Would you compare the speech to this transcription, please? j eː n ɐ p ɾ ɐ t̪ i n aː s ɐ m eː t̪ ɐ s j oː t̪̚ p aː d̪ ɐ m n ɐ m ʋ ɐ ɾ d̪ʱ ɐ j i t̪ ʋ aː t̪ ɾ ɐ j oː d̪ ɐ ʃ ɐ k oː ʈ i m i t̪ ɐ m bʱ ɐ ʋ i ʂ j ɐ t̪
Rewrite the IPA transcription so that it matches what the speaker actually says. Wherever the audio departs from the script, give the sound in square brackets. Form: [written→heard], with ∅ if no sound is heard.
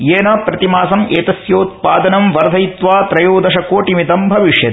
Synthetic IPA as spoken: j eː n ɐ p ɾ ɐ t̪ i [n→m] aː s ɐ m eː t̪ ɐ s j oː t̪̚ p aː d̪ ɐ [m→∅] n ɐ m ʋ ɐ ɾ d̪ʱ ɐ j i t̪ ʋ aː t̪ ɾ ɐ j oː d̪ ɐ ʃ ɐ k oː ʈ i m i t̪ ɐ m bʱ ɐ ʋ i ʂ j ɐ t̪